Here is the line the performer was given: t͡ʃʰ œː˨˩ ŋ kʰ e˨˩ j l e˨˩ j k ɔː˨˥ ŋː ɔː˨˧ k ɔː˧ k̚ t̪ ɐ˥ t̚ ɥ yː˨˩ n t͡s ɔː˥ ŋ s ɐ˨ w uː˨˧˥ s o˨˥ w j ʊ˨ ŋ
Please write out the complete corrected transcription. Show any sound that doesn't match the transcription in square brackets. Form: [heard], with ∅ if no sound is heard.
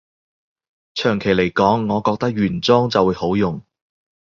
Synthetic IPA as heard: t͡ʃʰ œː˨˩ ŋ kʰ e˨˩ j l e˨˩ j k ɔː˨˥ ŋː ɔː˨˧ k ɔː˧ k̚ t̪ ɐ˥ [k̚] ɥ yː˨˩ n t͡s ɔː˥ ŋ [t͡s] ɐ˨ w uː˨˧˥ [h] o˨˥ w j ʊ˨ ŋ